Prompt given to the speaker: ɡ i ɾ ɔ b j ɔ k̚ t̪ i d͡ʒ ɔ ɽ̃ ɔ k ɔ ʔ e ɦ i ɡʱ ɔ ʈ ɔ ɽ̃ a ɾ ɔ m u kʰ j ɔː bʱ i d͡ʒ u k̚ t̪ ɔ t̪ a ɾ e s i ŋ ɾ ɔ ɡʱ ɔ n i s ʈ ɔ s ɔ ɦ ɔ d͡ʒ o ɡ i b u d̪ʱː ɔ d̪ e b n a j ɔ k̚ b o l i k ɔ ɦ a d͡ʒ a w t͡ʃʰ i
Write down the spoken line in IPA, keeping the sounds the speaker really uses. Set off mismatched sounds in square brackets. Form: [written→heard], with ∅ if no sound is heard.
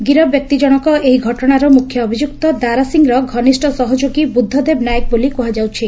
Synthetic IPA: ɡ i ɾ ɔ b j ɔ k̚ t̪ i d͡ʒ ɔ ɽ̃ ɔ k ɔ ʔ e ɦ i ɡʱ ɔ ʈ ɔ ɽ̃ a ɾ ɔ m u kʰ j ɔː bʱ i d͡ʒ u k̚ t̪ ɔ [t̪→d̪] a ɾ [e→a] s i ŋ ɾ ɔ ɡʱ ɔ n i s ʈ ɔ s ɔ ɦ ɔ d͡ʒ o ɡ i b u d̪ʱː ɔ d̪ e b n a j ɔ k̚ b o l i k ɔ ɦ a d͡ʒ a w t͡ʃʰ i